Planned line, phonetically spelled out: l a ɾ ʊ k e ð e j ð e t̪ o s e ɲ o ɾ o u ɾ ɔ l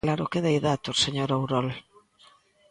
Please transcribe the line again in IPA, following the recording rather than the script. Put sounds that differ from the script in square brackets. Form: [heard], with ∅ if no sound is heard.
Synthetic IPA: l a ɾ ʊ k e ð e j ð [a] t̪ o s e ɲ o ɾ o [w] ɾ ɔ l